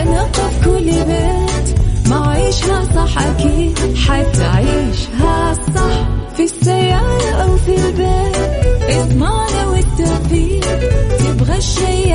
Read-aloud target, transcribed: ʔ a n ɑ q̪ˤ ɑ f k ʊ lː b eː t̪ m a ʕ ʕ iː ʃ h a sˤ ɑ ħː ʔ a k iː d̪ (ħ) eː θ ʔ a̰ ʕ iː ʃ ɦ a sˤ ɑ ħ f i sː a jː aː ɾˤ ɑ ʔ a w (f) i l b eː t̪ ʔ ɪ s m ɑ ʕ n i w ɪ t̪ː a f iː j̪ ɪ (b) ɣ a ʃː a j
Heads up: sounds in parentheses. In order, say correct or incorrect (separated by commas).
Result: correct, correct, correct